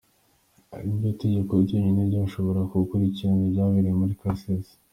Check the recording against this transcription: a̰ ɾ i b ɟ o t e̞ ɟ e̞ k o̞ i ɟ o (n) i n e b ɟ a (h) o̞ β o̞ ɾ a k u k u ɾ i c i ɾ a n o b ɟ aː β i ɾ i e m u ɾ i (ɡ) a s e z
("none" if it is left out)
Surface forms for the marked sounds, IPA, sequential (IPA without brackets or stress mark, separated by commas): ɲ, ʃ, k